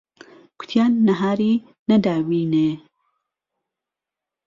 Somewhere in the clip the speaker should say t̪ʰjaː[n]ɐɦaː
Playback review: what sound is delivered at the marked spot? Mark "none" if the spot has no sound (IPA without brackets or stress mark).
nː